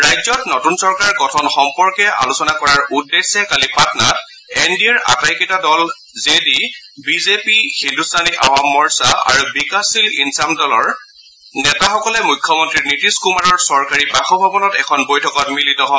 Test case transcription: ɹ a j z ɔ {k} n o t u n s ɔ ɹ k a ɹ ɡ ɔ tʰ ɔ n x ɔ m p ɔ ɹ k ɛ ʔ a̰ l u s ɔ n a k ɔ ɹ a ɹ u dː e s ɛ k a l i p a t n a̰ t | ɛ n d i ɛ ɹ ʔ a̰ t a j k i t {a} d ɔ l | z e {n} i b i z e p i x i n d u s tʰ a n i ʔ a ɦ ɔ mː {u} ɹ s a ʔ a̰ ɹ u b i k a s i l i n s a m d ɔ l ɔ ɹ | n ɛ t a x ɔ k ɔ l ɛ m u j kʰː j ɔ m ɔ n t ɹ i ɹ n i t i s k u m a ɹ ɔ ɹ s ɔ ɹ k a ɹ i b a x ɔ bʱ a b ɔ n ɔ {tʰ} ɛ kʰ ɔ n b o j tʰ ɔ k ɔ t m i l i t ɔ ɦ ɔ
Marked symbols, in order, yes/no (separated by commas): no, yes, no, no, no